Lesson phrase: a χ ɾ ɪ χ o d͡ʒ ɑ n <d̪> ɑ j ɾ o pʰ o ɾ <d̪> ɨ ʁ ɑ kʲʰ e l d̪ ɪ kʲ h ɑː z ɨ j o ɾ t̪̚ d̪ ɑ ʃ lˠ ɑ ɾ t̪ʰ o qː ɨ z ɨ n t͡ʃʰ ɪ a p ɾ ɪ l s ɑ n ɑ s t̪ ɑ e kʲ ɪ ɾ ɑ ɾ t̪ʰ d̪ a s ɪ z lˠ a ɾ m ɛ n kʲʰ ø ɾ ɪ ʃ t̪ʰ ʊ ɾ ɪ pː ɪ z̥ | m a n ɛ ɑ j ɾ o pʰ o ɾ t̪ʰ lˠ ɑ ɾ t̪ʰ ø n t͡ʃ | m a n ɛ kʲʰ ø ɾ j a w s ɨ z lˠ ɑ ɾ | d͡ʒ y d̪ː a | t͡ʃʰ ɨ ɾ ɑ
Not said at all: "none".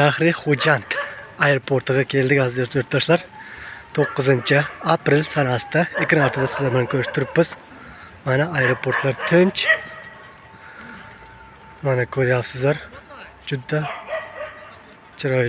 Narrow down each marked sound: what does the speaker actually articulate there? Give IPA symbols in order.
t̪, t̪

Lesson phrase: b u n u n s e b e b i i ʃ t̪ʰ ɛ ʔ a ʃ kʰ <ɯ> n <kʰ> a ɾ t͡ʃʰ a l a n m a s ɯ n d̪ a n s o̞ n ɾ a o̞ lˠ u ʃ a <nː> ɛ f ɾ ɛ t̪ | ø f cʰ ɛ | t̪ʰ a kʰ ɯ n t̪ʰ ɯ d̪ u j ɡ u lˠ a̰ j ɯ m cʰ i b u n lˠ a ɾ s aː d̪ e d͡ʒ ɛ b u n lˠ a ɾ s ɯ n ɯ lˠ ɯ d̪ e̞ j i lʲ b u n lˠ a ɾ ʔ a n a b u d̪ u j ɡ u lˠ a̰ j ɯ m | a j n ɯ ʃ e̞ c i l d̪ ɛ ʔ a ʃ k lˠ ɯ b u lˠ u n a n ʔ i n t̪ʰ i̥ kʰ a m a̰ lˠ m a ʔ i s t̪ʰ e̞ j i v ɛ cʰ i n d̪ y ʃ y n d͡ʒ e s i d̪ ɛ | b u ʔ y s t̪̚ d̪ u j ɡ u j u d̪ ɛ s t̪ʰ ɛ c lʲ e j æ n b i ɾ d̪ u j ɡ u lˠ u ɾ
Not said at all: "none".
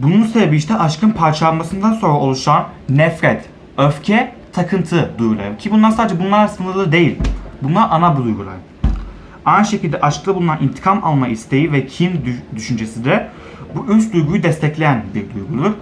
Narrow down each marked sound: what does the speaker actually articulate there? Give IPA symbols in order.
ɯ, pʰ, nː

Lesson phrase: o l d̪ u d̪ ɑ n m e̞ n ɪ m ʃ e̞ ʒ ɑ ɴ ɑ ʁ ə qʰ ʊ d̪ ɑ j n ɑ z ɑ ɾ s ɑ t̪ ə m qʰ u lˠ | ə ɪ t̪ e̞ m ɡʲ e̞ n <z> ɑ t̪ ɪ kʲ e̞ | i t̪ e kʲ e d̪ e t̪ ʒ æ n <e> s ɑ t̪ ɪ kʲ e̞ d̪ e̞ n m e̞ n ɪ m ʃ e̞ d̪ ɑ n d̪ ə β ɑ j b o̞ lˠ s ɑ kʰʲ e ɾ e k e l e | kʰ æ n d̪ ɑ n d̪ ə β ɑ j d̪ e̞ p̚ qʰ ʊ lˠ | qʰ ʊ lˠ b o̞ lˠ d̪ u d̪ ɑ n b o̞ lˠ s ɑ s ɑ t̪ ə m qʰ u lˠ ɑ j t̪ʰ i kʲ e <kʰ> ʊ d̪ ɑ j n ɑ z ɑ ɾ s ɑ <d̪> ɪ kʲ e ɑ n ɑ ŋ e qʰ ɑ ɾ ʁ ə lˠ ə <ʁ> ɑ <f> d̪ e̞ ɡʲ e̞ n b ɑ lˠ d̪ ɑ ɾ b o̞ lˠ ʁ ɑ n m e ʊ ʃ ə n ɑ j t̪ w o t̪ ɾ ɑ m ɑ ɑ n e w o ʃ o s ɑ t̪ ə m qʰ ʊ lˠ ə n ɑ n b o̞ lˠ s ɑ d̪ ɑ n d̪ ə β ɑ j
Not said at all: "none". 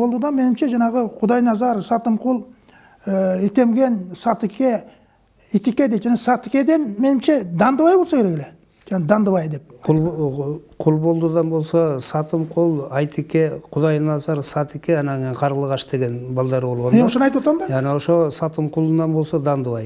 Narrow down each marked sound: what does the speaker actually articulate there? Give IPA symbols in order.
s, e, qʰ, t̪, ʁ, ʃ

